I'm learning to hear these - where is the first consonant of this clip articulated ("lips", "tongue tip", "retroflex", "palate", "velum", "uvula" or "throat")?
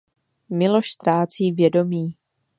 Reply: lips